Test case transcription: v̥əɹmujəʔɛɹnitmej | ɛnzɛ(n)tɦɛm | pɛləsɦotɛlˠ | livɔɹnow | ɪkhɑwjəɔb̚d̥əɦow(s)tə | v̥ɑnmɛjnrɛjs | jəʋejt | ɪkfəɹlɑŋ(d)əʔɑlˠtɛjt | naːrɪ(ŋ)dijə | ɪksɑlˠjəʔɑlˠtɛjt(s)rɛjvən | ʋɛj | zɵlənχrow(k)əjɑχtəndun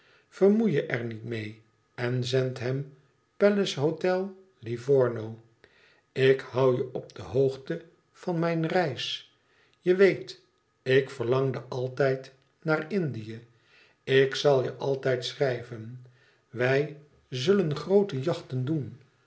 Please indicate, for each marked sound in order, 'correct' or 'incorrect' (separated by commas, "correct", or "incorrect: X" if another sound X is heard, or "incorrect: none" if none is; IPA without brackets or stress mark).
correct, incorrect: χ, correct, incorrect: n, correct, incorrect: t